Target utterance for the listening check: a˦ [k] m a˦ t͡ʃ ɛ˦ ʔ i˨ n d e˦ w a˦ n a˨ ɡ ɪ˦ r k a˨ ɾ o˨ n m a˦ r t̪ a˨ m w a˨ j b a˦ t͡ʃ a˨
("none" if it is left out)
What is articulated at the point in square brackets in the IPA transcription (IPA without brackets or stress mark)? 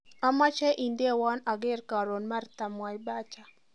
none